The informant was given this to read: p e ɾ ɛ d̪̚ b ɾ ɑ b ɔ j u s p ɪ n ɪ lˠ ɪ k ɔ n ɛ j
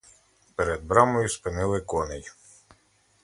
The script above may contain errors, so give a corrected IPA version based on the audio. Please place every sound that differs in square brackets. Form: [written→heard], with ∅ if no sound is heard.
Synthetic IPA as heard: p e ɾ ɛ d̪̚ b ɾ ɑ [b→m] ɔ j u s p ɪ n ɪ lˠ ɪ k ɔ n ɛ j